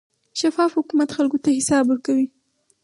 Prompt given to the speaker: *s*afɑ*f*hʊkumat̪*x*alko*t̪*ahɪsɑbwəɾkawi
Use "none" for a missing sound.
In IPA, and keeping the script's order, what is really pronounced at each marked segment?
ʃ, f, x, t̪

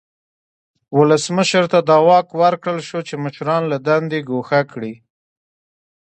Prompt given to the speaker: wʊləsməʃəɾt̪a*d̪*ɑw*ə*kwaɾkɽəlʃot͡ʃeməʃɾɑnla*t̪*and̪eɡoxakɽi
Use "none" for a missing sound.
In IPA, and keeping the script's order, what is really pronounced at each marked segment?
d̪, ɑ, d̪

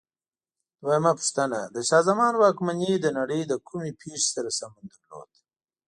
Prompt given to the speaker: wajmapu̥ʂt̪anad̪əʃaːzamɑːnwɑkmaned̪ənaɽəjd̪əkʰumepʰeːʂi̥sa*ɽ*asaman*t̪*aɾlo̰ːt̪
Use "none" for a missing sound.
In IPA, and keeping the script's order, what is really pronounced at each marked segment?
ɾ, d̪

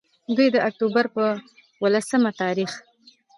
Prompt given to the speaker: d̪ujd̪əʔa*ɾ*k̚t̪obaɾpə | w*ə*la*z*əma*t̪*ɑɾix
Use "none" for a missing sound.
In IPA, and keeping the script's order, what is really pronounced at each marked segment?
none, ə, s, t̪

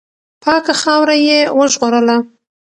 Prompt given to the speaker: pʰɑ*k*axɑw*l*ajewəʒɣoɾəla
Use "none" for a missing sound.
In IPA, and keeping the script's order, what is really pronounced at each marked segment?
k, ɾ

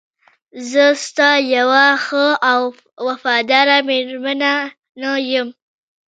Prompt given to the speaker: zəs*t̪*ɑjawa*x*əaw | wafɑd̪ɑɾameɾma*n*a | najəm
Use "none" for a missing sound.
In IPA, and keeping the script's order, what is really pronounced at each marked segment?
t̪, x, n

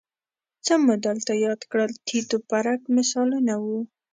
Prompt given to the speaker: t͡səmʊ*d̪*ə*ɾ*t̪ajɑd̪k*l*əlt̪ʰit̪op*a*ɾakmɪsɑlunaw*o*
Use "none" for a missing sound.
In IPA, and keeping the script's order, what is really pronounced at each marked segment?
d̪, l, ɽ, a, u

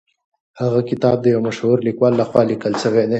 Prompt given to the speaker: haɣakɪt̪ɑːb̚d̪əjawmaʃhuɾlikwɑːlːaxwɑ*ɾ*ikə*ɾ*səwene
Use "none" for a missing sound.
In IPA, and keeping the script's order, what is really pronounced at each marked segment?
l, l

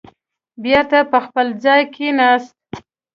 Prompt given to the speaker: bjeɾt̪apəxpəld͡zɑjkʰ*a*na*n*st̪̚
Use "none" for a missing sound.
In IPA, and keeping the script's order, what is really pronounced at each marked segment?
e, none

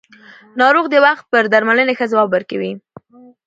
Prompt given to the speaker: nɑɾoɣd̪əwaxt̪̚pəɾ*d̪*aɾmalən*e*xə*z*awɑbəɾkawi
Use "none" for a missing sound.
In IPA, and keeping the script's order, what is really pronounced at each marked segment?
d̪, e, z

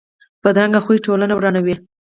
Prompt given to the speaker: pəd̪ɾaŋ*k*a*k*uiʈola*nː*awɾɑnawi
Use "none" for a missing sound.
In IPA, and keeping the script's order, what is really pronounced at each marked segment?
ɡ, x, n

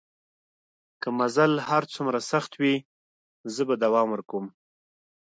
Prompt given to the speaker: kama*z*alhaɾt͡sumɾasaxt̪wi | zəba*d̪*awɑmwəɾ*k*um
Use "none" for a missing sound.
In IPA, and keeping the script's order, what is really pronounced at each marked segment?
z, d̪, k

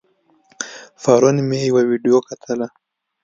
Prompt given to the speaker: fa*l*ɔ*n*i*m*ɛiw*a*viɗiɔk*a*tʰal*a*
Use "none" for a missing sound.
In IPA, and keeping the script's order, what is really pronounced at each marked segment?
ɾ, n, m, a, a, a

